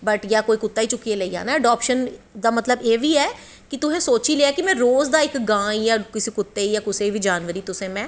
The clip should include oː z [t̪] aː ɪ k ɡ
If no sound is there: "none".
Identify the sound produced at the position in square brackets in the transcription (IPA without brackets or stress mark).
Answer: d̪